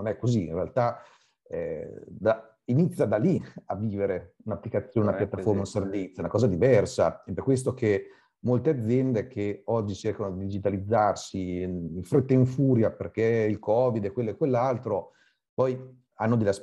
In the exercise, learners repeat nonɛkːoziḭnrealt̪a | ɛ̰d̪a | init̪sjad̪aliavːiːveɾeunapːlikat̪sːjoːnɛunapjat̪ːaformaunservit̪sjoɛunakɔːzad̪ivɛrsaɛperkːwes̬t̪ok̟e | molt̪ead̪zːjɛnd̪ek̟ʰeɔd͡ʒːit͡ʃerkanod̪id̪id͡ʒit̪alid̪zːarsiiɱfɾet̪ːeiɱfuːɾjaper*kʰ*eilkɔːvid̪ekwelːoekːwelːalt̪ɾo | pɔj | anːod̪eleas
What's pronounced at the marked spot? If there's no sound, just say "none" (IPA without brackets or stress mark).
k